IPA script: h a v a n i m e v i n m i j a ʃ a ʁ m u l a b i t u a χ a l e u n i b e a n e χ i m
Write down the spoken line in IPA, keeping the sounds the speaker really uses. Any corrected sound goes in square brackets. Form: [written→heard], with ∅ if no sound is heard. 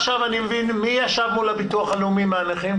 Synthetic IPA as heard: [h→ʃ] a v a n i m e v i n m i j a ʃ a [ʁ→v] m u l a b i t u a χ a l e u [n→m] i [b→m] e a n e χ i m